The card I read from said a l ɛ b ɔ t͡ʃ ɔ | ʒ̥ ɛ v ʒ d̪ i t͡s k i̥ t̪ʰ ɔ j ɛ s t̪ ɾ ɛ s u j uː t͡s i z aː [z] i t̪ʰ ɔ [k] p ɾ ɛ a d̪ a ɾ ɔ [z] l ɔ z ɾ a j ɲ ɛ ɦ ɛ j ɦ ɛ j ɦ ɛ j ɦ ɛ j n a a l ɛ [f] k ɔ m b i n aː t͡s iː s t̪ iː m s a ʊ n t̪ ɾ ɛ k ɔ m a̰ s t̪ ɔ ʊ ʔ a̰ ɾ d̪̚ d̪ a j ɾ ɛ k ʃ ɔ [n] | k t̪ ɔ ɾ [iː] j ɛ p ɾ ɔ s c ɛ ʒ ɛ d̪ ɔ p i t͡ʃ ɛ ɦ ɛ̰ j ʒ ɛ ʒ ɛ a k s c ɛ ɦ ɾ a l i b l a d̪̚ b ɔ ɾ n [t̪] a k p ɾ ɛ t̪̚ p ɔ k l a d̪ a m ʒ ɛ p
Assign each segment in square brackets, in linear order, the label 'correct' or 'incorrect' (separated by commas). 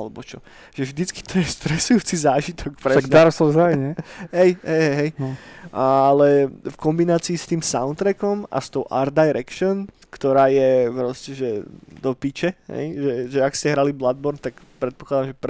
incorrect, correct, incorrect, correct, correct, incorrect, correct